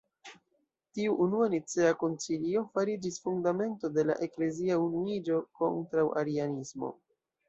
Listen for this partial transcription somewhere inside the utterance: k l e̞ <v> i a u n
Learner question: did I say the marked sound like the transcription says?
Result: no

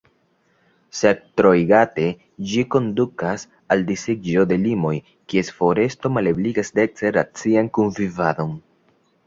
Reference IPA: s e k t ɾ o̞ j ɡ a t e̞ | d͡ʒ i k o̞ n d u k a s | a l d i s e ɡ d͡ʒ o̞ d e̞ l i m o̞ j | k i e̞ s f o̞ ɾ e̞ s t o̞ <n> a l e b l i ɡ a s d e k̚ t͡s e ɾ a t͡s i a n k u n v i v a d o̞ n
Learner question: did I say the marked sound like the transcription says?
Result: no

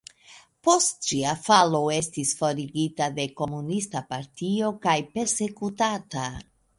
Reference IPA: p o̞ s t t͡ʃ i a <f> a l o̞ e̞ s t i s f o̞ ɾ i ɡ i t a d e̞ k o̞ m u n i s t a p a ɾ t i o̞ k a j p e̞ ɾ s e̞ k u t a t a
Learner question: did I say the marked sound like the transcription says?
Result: yes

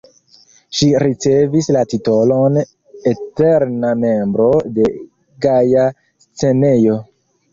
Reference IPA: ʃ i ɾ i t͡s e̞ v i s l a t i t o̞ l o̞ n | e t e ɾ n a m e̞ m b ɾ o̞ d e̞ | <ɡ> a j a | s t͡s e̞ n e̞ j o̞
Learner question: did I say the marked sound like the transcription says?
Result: yes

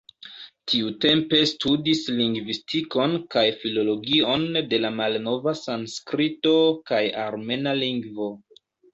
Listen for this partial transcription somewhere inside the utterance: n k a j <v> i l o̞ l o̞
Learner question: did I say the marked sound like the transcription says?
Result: no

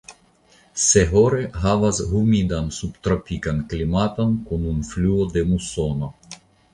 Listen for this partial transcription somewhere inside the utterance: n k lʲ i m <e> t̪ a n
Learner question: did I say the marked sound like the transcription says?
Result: no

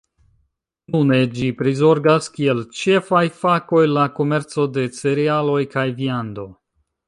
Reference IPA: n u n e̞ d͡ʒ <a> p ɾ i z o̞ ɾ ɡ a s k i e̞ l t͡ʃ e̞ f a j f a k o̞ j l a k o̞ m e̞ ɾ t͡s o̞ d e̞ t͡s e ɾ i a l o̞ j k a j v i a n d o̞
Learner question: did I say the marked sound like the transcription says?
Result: no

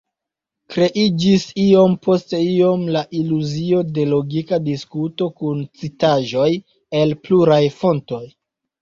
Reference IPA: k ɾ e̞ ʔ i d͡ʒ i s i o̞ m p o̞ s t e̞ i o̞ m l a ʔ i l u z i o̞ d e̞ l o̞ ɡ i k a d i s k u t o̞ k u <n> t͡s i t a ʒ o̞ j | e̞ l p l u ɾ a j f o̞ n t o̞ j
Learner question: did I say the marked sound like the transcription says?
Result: yes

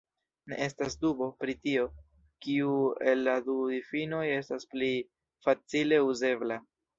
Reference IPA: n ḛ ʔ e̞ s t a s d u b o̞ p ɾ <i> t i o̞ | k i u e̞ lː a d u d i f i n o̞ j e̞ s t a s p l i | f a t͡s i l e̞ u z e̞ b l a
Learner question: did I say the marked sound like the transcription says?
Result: yes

